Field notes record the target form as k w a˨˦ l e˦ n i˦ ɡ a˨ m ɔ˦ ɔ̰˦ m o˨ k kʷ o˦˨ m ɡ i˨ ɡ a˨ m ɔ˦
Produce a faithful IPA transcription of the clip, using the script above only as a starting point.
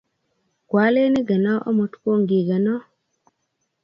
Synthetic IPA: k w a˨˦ l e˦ n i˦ ɡ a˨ n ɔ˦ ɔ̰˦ m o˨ t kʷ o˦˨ ŋ ɡ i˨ ɡ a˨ n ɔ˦

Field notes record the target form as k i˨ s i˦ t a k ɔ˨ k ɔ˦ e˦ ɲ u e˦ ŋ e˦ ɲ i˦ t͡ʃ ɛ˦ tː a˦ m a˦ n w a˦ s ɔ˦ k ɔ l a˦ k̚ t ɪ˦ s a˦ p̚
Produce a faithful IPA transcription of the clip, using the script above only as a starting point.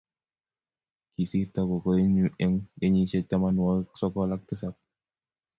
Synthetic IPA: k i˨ s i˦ t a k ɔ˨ k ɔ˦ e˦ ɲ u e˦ ŋ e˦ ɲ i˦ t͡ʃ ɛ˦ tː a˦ m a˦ n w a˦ s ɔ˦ k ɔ l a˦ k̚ t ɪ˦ s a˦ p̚

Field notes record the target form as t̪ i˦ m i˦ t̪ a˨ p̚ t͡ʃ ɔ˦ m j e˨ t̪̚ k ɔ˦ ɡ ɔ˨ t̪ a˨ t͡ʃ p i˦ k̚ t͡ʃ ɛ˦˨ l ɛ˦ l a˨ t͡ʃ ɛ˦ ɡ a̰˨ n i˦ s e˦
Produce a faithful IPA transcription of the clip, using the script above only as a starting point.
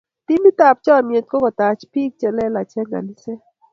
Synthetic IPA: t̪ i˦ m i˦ t̪ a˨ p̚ t͡ʃ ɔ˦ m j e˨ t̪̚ k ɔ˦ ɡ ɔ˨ t̪ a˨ t͡ʃ p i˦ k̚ t͡ʃ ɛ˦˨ l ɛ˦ l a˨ t͡ʃ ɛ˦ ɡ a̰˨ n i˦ s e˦

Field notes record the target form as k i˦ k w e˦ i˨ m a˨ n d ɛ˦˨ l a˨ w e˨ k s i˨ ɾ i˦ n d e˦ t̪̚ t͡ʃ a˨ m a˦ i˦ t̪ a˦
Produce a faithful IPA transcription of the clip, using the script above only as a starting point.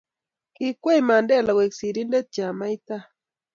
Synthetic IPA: k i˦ k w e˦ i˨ m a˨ n d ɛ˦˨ l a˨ w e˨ k s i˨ ɾ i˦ n d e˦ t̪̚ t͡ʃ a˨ m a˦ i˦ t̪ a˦

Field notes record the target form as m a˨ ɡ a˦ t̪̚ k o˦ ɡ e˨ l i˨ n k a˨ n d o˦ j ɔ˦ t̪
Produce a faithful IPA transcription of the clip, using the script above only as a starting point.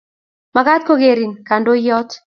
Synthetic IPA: m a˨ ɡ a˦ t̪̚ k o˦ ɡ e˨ ɾ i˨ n k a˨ n d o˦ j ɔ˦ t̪

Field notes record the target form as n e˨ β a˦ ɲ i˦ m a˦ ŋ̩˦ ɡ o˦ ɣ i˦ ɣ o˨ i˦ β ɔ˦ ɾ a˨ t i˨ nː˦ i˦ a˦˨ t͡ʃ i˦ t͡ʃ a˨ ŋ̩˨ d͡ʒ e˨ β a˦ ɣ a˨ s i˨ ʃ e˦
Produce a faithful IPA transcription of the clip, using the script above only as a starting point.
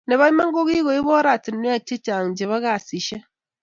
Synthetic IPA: n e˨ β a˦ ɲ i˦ m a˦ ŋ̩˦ ɡ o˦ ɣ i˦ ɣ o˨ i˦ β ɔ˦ ɾ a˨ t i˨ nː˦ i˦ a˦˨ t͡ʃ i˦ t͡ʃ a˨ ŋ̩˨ d͡ʒ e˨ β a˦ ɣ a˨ s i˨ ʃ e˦

